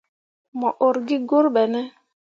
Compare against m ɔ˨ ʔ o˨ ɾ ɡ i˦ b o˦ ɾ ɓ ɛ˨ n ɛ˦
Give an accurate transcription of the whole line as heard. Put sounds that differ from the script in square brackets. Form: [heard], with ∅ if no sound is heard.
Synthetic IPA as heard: m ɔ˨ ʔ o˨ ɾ ɡ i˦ [ɡ] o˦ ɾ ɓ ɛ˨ n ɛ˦